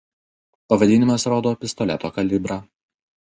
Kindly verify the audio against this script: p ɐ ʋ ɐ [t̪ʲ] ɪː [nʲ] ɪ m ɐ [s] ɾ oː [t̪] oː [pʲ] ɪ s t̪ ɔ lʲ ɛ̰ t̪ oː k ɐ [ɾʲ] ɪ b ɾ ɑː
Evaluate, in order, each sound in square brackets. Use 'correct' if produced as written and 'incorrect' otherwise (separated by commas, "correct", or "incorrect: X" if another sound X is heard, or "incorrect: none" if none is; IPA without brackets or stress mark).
incorrect: d̪ʲ, correct, correct, incorrect: d̪, correct, incorrect: lʲ